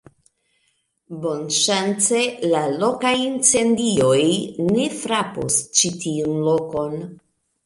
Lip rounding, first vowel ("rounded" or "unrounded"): rounded